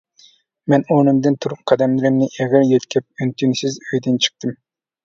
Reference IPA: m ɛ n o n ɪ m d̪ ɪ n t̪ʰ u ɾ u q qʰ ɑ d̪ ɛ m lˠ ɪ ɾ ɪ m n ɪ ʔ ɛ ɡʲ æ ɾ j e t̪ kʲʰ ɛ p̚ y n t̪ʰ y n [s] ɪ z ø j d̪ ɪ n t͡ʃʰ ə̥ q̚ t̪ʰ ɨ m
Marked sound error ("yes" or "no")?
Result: no